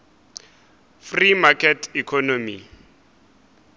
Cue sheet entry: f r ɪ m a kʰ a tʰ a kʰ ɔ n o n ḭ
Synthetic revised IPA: f r i m a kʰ ɛ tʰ i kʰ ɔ n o m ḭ